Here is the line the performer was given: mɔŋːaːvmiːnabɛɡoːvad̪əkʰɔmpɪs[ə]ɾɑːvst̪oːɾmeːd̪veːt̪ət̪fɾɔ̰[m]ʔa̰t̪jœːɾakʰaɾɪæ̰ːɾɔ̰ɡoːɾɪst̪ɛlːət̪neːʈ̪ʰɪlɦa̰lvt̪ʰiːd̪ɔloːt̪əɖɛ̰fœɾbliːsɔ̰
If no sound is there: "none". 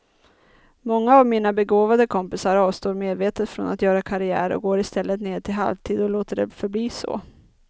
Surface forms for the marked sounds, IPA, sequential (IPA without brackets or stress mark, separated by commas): a, n